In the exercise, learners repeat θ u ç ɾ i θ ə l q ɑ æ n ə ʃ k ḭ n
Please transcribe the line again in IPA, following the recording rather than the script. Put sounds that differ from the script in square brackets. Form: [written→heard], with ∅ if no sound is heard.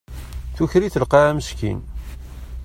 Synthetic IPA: θ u ç ɾ i θ ə l q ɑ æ [n→m] ə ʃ k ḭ n